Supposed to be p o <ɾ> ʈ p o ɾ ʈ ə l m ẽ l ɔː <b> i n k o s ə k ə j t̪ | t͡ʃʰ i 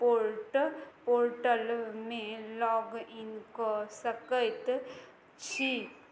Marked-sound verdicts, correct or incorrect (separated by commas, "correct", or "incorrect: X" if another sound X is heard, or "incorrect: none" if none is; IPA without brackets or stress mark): correct, incorrect: ɡ